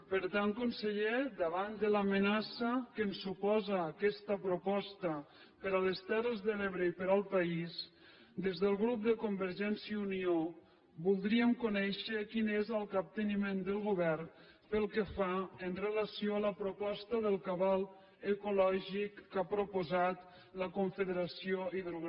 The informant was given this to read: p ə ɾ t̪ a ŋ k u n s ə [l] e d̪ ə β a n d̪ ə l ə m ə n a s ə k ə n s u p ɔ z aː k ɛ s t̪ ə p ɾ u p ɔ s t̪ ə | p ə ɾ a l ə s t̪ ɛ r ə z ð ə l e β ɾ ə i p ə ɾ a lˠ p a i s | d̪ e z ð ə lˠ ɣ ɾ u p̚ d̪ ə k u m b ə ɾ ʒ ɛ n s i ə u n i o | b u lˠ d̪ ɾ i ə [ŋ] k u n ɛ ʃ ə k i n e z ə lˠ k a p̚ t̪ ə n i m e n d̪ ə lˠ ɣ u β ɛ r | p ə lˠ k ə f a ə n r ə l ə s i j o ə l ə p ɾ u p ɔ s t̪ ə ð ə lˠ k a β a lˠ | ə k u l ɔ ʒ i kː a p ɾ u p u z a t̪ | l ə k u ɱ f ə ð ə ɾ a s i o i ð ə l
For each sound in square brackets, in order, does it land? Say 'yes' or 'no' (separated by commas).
no, no